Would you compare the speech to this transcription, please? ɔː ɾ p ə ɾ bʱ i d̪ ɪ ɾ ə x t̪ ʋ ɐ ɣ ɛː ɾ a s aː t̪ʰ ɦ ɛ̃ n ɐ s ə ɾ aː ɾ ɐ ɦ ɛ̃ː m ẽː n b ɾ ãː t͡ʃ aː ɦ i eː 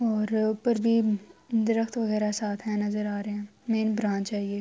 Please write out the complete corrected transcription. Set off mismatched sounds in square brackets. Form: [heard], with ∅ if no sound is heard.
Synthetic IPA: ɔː ɾ p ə ɾ bʱ i d̪ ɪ ɾ ə x t̪ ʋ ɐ ɣ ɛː ɾ a s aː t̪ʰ ɦ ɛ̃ n ɐ [z] ə ɾ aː ɾ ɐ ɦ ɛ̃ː m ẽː n b ɾ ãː t͡ʃ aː ɦ i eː